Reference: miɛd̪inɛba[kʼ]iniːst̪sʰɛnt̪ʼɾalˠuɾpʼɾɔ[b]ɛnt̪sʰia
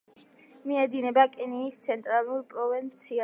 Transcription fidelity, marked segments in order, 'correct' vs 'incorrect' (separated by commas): correct, incorrect